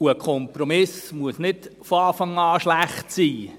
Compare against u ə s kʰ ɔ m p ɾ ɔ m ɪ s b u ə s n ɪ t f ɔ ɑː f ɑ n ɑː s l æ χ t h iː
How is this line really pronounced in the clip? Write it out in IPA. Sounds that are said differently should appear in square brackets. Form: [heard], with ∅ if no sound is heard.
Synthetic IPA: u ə [∅] kʰ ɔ m p ɾ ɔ m ɪ s [m] u ə s n ɪ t f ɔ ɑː f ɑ [ŋ] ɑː [ʃ] l æ χ t [s] iː